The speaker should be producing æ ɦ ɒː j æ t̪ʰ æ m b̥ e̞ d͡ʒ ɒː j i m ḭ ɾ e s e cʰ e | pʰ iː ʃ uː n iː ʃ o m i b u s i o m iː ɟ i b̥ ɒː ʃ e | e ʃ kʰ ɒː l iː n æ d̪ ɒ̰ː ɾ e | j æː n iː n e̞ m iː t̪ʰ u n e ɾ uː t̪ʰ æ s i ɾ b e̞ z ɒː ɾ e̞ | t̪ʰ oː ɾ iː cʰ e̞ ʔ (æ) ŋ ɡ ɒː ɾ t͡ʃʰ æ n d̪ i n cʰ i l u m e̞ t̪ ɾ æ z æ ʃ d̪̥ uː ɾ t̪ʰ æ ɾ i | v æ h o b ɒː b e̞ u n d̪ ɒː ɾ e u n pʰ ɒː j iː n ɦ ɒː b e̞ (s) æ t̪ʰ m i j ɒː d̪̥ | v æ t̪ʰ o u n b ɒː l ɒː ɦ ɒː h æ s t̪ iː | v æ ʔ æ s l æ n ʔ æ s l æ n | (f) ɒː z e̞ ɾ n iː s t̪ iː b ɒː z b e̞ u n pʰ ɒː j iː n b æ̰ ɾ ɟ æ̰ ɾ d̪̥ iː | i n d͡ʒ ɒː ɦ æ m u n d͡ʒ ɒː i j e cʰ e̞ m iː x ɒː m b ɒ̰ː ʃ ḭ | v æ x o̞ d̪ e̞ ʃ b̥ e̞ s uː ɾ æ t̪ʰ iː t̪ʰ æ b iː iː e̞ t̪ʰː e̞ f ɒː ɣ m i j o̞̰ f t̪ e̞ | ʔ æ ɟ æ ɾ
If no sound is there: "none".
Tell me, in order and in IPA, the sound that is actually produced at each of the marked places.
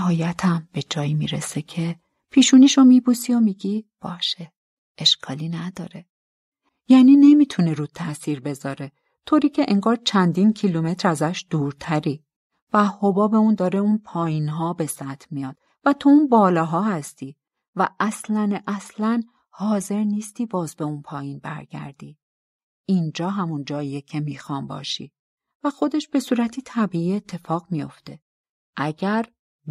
e, s, h

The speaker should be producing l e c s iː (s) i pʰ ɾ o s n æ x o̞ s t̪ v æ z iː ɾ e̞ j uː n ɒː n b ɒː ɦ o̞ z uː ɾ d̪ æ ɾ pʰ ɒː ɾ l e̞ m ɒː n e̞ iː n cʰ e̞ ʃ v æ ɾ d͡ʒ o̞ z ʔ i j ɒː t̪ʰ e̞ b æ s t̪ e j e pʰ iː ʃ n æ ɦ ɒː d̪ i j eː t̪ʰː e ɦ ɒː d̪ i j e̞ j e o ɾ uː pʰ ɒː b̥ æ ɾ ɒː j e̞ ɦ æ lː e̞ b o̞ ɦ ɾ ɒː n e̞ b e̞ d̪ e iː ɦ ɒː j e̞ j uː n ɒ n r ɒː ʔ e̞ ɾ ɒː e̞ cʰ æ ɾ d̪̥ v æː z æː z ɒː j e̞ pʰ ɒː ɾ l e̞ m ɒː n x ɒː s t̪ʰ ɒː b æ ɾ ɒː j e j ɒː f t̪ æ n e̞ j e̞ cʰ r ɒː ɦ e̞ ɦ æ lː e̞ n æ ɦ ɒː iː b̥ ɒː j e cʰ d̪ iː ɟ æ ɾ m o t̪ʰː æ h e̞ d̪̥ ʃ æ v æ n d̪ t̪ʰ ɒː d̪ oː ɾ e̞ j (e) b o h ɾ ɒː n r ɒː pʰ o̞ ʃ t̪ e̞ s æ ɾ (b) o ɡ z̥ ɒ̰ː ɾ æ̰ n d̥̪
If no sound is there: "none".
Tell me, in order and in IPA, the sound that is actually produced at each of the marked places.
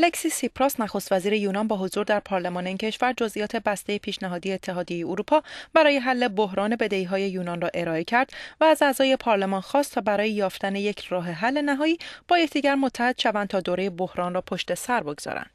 s, e, b

